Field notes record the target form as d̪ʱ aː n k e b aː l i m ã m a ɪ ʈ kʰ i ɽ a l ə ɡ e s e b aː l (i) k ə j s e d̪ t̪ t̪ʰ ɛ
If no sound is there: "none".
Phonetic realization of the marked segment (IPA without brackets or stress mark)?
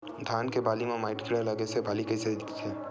i